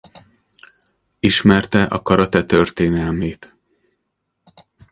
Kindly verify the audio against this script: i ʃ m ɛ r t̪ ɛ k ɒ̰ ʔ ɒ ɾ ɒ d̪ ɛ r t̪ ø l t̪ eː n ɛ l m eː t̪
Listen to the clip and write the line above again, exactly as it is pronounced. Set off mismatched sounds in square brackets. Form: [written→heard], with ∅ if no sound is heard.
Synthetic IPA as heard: i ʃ m ɛ r t̪ ɛ [k→ʔ] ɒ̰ [ʔ→k] ɒ ɾ ɒ [d̪→t̪] ɛ [r→∅] t̪ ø [l→r] t̪ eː n ɛ l m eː t̪